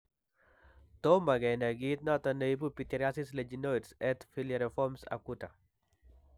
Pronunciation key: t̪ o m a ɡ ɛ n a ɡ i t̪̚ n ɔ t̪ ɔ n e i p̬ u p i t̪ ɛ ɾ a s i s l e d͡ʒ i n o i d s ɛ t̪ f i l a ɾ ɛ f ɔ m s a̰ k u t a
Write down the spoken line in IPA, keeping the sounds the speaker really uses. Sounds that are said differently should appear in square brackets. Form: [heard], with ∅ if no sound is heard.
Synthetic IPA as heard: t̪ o m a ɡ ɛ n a ɡ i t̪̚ n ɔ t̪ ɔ n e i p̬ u p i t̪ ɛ ɾ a s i s l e d͡ʒ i n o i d s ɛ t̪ f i l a ɾ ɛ f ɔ m s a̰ k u t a